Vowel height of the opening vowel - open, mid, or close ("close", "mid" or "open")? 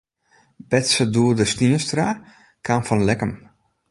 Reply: mid